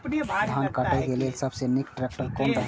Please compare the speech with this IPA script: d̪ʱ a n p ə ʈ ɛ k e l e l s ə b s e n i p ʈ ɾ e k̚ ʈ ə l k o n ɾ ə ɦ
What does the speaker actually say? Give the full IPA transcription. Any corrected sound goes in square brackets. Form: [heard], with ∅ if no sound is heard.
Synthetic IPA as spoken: d̪ʱ a n [k] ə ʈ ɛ k e l e l s ə b s e n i [k] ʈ ɾ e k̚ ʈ ə [ɾ] k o n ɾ ə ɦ